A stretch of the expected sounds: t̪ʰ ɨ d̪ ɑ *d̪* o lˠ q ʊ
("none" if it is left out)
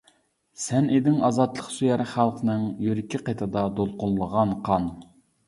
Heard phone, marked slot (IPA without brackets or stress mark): d̪